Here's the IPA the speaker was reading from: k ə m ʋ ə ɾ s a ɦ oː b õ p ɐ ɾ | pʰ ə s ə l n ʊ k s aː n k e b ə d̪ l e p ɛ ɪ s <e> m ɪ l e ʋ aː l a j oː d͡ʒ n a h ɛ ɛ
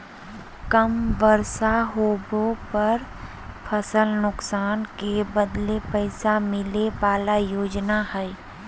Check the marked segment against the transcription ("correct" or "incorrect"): incorrect